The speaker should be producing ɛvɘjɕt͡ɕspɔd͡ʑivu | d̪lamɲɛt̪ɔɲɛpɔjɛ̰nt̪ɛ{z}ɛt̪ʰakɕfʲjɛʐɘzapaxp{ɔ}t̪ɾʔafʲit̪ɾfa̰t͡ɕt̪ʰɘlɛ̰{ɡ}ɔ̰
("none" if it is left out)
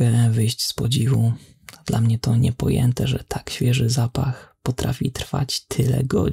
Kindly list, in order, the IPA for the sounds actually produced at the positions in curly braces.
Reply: ʐ, ɔ, ɡ

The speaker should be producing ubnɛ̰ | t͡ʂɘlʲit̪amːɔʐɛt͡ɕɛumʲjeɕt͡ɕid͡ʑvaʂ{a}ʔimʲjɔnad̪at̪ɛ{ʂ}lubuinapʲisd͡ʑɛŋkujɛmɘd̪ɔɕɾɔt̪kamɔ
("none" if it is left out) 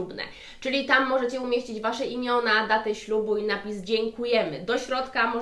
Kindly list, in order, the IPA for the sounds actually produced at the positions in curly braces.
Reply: ɛ, ɕ

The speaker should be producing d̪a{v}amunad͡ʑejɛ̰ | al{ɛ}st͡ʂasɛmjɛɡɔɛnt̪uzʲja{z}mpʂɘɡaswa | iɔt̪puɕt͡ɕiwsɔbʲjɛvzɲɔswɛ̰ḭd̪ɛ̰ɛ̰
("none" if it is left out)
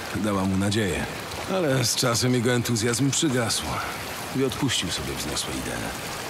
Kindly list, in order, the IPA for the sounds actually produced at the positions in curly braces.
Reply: w, ɛ, z

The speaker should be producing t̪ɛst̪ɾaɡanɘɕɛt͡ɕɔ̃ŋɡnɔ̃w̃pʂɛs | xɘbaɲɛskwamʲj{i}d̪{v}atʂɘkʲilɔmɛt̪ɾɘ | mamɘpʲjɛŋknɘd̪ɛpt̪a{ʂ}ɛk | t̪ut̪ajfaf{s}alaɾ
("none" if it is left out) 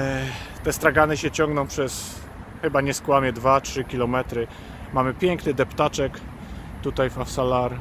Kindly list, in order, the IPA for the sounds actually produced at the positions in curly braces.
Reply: ɛ, v, t͡ʂ, s

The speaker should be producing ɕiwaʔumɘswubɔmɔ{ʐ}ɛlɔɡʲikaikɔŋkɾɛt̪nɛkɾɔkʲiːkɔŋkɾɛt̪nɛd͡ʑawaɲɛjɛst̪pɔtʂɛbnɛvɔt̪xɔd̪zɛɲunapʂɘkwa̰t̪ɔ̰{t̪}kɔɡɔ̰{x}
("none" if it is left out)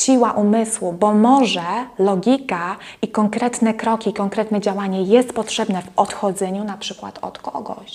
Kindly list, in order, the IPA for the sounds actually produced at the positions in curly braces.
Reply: ʐ, t̪, ɕ

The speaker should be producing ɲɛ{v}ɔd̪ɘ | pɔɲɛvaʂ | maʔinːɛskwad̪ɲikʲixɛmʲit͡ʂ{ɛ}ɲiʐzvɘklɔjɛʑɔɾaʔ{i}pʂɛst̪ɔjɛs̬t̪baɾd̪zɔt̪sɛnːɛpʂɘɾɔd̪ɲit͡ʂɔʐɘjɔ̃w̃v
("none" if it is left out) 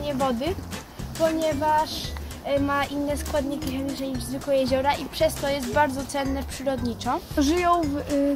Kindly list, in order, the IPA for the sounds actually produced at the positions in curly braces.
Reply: v, ɛ, i

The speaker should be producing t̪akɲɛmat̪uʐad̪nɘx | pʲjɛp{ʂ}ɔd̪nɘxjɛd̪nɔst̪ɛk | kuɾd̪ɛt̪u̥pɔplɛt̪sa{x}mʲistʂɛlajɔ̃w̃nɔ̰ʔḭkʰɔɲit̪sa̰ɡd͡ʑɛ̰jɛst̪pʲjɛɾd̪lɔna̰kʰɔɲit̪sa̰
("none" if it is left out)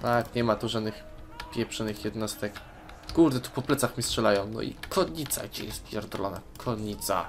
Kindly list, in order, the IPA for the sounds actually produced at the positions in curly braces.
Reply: ʂ, x

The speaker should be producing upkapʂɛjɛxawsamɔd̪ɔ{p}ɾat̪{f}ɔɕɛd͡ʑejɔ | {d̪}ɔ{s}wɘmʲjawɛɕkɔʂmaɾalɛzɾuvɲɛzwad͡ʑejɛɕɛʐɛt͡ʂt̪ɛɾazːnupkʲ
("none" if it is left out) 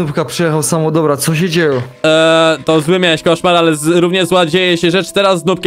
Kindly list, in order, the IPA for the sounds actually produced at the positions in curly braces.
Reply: b, s, t̪, z

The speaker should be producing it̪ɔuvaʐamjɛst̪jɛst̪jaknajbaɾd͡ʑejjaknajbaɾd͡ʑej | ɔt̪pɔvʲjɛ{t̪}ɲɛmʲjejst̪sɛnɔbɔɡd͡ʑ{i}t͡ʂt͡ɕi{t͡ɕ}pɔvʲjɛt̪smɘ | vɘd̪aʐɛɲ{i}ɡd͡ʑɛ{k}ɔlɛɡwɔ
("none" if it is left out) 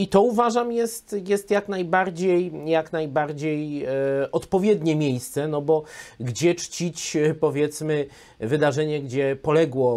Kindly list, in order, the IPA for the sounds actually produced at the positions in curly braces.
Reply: d̪, ɛ, t͡ɕ, ɛ, p

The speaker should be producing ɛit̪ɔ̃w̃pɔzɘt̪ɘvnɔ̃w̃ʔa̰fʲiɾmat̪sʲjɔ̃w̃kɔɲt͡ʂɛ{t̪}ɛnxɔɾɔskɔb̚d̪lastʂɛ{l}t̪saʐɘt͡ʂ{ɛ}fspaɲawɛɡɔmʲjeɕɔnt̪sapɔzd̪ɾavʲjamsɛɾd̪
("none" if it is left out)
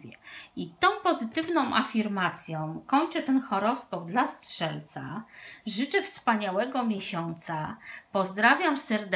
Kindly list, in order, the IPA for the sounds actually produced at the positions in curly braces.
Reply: t̪, l, ɛ

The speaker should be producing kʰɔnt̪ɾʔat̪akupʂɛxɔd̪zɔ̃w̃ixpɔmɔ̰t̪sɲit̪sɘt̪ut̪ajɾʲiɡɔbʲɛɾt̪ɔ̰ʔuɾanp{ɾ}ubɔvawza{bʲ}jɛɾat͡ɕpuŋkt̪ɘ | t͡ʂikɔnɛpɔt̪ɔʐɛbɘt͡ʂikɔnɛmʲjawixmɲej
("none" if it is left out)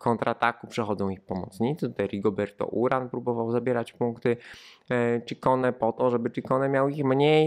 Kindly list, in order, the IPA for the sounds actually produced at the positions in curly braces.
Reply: ɾ, bʲ

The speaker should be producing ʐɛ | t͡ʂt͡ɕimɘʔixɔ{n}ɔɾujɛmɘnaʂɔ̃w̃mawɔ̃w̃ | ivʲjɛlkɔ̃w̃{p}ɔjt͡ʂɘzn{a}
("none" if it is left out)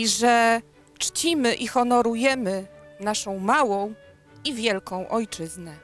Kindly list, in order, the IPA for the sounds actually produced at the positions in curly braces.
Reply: n, ʔ, ɛ

